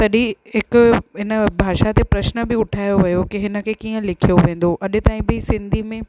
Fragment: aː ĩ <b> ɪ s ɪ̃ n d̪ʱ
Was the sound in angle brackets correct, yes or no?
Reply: yes